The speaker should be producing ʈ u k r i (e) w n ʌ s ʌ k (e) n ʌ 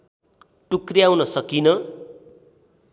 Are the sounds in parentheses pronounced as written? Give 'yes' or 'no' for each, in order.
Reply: no, no

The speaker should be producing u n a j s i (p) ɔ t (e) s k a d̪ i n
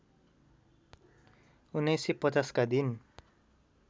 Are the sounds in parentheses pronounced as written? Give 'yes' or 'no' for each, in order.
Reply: yes, no

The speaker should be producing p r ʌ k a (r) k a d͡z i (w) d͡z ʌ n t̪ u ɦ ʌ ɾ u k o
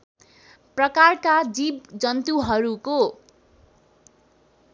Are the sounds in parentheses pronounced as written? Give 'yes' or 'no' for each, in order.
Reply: yes, no

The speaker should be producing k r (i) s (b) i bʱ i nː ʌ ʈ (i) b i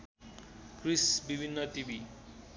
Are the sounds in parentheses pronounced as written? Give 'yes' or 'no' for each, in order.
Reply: yes, yes, yes

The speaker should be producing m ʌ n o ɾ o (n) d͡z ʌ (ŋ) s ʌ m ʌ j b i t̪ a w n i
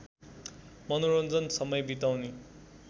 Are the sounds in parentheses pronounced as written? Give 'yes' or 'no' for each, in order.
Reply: yes, no

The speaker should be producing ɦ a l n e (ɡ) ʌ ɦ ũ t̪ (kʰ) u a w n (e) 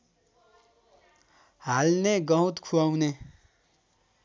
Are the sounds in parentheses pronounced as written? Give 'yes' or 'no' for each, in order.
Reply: yes, yes, yes

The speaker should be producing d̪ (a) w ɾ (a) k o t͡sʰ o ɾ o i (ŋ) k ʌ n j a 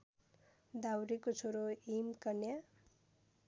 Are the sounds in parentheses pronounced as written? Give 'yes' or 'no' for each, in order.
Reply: yes, no, no

